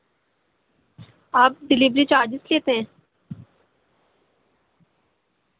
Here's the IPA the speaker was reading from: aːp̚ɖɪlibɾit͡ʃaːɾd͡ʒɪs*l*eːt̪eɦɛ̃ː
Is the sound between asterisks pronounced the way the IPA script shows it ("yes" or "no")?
yes